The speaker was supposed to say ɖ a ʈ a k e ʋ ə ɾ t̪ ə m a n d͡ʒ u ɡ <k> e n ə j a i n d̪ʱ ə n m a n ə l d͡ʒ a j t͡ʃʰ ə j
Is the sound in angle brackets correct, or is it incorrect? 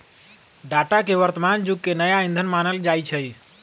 correct